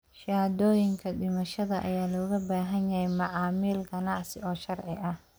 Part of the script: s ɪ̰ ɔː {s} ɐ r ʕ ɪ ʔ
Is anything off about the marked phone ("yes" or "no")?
yes